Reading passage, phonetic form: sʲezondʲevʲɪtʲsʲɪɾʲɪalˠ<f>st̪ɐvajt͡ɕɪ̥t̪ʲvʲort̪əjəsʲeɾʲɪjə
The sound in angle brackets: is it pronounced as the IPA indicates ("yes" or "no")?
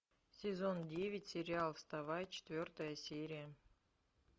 yes